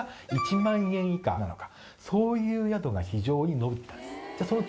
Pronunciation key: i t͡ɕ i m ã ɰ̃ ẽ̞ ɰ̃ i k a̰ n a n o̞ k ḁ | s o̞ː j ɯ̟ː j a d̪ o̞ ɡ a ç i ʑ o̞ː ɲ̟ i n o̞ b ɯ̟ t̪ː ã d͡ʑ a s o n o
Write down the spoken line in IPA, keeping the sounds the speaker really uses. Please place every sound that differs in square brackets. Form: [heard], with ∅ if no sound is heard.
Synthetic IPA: i t͡ɕ i m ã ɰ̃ ẽ̞ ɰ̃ i k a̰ n a n o̞ k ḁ | s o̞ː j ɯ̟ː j a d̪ o̞ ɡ a ç i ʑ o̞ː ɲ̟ i n o̞ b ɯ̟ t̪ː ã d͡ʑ a s o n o